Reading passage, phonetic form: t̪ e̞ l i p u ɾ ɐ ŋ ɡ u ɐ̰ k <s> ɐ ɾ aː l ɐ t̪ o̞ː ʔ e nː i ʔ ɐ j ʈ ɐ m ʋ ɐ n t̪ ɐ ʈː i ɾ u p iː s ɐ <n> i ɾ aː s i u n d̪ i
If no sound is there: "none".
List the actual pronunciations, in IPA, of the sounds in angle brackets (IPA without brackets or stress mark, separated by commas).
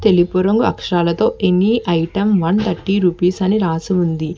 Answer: ʂ, n